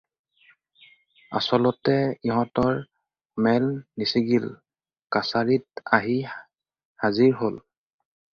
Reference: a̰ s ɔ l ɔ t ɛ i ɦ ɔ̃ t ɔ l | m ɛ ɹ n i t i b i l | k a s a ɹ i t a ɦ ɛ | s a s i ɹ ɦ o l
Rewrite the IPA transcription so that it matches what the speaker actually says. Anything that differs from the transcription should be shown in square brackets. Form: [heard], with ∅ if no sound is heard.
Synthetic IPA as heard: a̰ s ɔ l ɔ t ɛ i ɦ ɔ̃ t ɔ [ɹ] | m ɛ [l] n i [s] i [ɡ] i l | k a s a ɹ i t a ɦ [i] | [h] a [z] i ɹ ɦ o l